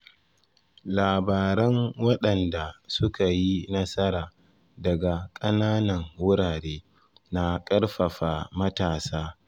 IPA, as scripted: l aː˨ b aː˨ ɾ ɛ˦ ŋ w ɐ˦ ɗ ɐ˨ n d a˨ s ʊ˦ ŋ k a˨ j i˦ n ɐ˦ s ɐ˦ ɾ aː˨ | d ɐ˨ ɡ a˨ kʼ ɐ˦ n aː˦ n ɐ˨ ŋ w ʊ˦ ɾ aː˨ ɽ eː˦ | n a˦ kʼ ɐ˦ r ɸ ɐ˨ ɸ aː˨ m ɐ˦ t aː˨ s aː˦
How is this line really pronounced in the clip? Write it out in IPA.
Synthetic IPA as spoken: l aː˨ b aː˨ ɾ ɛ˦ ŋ w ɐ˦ ɗ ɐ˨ n d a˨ s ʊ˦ k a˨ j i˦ n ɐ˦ s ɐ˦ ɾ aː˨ | d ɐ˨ ɡ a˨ kʼ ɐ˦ n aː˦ n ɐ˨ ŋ w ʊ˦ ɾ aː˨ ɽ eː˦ | n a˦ kʼ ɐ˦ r ɸ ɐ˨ ɸ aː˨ m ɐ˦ t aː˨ s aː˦